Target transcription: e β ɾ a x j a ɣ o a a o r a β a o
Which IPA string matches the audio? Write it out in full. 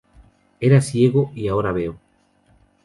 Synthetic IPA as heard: e ɾ a s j e ɣ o i a o ɾ a β e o